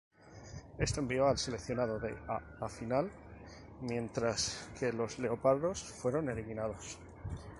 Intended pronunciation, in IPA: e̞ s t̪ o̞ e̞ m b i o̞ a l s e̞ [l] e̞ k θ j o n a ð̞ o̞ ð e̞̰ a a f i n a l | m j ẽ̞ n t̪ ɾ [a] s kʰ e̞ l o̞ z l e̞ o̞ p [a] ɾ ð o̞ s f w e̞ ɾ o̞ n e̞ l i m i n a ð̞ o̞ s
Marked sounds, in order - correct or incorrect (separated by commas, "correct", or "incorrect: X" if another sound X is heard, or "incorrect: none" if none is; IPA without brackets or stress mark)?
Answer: correct, correct, correct